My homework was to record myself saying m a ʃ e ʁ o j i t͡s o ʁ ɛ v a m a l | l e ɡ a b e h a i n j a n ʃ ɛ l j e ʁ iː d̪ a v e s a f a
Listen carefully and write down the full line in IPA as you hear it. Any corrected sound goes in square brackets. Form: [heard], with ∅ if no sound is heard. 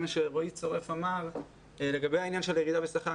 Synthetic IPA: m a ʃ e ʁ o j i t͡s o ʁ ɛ [f] a m a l | l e ɡ a b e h a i n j a n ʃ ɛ l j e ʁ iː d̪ a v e s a [χ] a